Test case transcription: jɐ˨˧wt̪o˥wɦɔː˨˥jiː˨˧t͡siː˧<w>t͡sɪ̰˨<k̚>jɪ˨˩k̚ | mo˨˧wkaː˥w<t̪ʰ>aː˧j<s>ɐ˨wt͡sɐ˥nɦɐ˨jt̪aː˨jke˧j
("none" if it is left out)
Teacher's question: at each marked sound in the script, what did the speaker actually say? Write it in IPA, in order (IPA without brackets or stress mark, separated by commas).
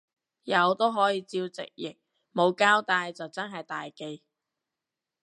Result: w, k̚, t̪, t͡s